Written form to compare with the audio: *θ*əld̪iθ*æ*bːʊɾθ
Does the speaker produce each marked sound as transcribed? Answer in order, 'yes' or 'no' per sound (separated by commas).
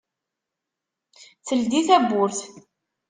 yes, yes